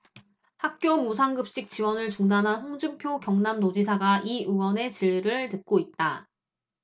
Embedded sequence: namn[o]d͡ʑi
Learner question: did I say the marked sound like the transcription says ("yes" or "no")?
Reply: yes